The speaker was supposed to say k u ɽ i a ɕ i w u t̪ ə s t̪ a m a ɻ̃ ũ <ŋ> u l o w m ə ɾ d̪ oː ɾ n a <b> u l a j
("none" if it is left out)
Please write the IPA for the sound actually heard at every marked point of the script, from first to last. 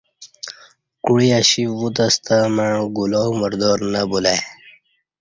ɡ, b

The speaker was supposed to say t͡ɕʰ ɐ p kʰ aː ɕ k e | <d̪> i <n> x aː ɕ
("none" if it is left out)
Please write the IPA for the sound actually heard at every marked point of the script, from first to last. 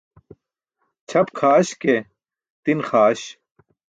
t̪, n

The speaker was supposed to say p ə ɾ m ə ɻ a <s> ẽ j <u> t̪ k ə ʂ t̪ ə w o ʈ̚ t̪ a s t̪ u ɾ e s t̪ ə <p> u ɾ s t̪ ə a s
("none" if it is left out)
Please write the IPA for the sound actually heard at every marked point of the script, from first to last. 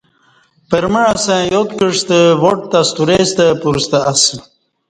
s, o, p

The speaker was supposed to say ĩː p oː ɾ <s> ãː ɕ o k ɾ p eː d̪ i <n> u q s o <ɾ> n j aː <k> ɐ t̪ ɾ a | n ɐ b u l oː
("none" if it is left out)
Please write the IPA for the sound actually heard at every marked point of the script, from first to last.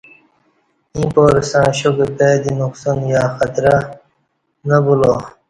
s, n, none, x

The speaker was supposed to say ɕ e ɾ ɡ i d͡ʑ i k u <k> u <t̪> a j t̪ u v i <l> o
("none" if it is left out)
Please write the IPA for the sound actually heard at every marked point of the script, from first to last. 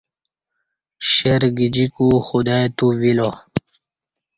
x, d̪, l

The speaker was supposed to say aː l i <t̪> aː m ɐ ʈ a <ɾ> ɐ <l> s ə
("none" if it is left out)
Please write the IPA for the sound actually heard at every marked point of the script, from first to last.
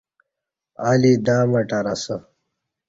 d̪, ɾ, none

